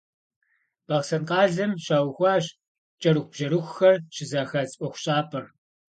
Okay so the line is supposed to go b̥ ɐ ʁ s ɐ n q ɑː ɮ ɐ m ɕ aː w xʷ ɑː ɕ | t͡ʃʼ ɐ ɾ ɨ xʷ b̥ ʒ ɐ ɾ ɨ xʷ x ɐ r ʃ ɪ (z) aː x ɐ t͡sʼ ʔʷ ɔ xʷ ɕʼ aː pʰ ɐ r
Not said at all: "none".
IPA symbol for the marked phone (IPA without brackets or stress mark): z